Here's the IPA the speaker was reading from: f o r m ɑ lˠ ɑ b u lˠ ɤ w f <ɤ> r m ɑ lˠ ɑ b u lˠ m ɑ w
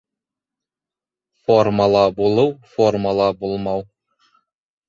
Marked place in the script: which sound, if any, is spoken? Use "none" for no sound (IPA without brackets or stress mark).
o